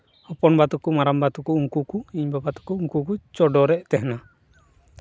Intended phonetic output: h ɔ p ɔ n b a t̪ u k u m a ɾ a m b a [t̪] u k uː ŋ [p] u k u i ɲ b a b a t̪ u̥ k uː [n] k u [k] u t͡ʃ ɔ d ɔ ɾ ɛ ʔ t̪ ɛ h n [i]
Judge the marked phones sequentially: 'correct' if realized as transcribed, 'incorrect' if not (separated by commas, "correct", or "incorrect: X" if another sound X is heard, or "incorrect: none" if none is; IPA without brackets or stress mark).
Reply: correct, incorrect: k, incorrect: ŋ, correct, incorrect: a